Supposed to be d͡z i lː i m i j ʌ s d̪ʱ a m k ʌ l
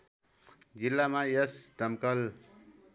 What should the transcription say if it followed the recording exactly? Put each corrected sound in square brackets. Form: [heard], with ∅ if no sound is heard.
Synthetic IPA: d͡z i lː [a] m [a] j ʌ s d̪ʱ [ʌ] m k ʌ l

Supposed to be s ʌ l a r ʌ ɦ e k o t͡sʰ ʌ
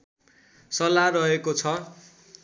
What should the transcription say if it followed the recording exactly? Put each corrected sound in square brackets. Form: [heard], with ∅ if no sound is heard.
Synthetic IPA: s ʌ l a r ʌ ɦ e k o t͡sʰ ʌ

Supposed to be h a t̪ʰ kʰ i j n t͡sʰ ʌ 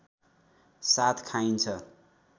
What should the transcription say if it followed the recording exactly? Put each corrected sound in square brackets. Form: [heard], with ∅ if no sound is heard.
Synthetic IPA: [s] a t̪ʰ kʰ [a] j n t͡sʰ ʌ

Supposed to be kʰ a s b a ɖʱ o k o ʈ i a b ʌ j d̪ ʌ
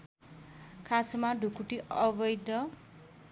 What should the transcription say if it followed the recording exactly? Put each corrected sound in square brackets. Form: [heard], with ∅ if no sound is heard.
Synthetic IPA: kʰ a s [m] a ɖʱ [u] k [u] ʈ i [ʌ] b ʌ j d̪ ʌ

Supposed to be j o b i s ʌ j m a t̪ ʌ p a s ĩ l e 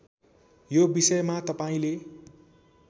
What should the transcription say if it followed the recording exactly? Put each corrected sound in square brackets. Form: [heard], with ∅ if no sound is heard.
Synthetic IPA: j o b i s ʌ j m a t̪ ʌ p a [∅] ĩ l e

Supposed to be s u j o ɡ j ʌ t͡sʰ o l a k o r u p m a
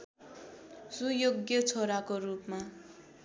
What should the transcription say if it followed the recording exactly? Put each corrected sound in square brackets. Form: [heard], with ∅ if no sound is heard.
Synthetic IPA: s u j o ɡ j ʌ t͡sʰ o [ɾ] a k o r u p m a

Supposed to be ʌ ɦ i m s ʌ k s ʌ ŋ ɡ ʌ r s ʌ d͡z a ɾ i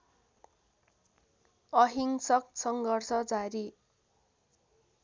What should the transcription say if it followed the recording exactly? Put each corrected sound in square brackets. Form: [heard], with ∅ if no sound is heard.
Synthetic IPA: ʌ ɦ i [ŋ] s ʌ k s ʌ ŋ ɡ ʌ r s ʌ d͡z a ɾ i

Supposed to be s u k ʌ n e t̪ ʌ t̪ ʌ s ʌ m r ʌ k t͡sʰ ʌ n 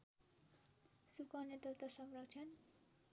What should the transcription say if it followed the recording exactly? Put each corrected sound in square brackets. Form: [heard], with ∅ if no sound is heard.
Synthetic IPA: s u k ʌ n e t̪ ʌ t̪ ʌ s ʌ m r ʌ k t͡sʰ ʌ n

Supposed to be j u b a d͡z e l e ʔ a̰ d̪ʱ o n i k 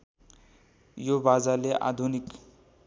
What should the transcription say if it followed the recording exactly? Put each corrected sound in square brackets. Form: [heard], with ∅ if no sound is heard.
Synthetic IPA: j [o] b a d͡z [a] l e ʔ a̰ d̪ʱ [u] n i k

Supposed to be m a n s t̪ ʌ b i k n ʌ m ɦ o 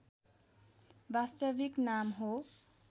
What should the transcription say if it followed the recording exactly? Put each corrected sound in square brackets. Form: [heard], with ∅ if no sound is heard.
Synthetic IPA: [b] a [∅] s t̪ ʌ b i k n [a] m ɦ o

